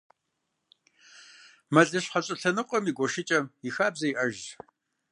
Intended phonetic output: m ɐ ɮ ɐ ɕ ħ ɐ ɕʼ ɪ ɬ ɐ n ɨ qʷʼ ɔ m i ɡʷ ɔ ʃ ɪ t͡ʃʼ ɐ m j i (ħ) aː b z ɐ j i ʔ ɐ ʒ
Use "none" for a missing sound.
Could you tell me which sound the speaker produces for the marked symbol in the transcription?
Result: x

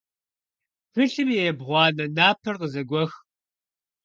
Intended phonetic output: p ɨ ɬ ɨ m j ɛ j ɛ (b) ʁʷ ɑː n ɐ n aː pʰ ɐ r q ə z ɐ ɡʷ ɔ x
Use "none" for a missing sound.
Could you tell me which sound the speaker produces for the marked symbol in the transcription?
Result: b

